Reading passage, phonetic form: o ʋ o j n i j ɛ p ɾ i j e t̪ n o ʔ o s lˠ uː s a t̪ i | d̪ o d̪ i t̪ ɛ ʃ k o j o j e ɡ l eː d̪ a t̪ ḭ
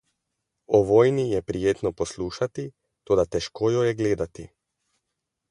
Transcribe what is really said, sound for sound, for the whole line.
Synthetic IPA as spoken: o ʋ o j n i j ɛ p ɾ i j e t̪ n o p o s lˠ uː ʃ a t̪ i | t̪ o d̪ a t̪ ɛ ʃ k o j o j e ɡ l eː d̪ a t̪ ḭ

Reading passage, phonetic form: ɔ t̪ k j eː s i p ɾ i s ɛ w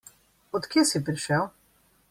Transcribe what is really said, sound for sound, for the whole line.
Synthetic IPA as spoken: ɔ t̪ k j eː s i p ɾ i ʃ ɛ w

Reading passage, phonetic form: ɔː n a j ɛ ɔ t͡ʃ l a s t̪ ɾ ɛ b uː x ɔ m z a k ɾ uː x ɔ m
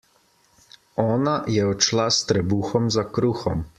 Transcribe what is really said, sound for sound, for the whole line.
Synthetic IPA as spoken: ɔː n a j ɛ ɔ t͡ʃ l a s t̪ ɾ ɛ b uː x ɔ m z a k ɾ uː x ɔ m

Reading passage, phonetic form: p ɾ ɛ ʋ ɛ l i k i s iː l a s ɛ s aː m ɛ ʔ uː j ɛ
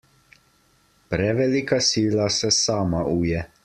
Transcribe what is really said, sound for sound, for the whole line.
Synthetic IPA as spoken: p ɾ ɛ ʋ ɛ l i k a s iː l a s ɛ s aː m a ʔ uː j ɛ

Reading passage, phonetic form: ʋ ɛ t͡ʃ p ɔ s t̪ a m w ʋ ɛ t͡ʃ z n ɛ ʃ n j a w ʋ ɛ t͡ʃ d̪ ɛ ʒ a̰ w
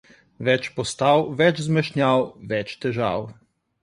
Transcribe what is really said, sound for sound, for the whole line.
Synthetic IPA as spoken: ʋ ɛ t͡ʃ p ɔ s t̪ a w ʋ ɛ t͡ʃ z m ɛ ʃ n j a w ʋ ɛ t͡ʃ t̪ ɛ ʒ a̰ w

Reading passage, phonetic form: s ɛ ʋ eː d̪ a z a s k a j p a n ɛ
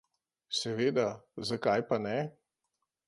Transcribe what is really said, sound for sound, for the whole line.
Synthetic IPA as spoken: s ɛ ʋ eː d̪ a z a k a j p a n ɛ

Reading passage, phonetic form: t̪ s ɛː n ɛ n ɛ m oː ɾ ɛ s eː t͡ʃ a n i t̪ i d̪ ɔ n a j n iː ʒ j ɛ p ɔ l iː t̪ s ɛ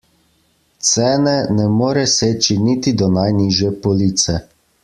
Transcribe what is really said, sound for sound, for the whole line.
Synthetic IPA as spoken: t̪ s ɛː n ɛ n ɛ m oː ɾ ɛ s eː t͡ʃ i n i t̪ i d̪ ɔ n a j n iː ʒ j ɛ p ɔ l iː t̪ s ɛ

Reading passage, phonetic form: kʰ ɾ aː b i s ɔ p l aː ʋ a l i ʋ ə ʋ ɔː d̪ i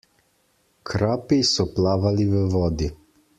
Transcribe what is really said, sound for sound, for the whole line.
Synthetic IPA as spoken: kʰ ɾ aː p i s ɔ p l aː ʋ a l i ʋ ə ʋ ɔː d̪ i

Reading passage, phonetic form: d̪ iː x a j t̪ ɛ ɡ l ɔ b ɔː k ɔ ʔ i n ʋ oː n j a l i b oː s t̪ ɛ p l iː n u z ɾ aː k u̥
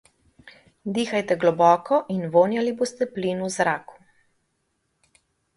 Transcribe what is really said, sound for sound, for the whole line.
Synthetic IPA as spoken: d̪ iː x a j t̪ ɛ ɡ l ɔ b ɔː k ɔ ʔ i n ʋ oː n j a l i b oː s t̪ ɛ p l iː n u z ɾ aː k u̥

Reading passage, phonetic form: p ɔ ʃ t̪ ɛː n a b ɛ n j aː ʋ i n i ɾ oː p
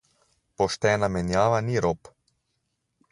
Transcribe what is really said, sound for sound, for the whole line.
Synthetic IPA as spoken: p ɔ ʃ t̪ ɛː n a m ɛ n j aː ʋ a n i ɾ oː p

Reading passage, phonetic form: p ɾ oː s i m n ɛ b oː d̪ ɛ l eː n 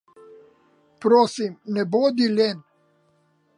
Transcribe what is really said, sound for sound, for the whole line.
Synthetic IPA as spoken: p ɾ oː s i m n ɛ b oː d̪ i l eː n

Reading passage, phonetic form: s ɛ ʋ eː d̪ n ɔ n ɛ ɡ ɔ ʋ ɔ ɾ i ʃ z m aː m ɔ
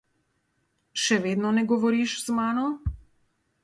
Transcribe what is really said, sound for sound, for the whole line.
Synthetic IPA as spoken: ʃ ɛ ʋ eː d̪ n ɔ n ɛ ɡ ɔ ʋ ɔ ɾ i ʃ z m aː n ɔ

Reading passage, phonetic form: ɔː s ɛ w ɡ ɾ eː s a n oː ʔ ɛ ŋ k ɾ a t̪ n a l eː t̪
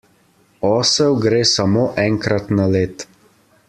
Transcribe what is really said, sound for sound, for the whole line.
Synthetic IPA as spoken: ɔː s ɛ w ɡ ɾ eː s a m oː ʔ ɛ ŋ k ɾ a t̪ n a l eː t̪

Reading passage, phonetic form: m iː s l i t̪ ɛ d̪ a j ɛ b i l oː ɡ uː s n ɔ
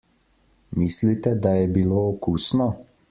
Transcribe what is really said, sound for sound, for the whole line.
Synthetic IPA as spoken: m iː s l i t̪ ɛ d̪ a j ɛ b i l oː k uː s n ɔ

